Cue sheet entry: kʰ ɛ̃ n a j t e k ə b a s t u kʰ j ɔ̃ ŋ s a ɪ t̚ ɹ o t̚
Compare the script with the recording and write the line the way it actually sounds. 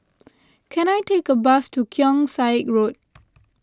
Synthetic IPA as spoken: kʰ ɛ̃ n a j t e k ə b a s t u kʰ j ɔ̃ ŋ s a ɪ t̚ ɹ o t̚